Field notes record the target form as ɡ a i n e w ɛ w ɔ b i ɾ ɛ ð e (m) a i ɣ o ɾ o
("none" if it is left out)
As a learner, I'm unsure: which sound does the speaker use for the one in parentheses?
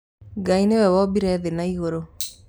n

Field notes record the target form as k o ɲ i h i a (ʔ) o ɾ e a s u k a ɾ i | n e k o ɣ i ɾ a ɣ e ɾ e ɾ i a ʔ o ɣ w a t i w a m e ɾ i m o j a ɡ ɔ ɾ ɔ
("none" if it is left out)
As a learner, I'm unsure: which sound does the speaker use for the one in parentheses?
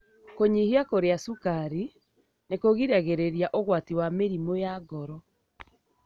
k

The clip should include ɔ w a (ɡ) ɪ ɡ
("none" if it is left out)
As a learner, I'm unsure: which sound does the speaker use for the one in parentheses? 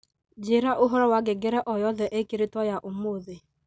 ɡ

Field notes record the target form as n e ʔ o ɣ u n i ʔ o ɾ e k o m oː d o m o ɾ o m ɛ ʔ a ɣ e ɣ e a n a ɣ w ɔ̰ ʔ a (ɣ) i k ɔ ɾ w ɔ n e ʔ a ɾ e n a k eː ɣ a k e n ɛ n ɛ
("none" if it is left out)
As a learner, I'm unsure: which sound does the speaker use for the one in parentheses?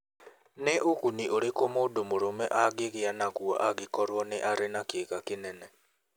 ɣ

